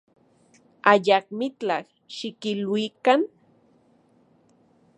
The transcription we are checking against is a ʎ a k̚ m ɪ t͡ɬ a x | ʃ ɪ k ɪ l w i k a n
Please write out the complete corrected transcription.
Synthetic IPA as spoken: a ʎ a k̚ m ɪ t͡ɬ a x | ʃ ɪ k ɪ l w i k a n